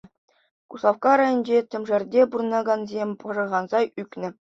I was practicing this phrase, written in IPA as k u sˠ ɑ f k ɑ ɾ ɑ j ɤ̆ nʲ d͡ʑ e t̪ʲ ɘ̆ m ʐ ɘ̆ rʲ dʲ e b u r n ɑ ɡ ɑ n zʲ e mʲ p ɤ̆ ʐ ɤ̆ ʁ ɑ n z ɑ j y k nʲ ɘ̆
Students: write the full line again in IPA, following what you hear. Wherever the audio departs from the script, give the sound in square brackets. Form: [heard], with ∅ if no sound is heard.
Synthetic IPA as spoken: k u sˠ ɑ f k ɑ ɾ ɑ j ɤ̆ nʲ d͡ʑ e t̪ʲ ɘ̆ m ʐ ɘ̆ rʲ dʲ e b u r n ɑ ɡ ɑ n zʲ e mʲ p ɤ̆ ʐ ɤ̆ ʁ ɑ n z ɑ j y k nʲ ɘ̆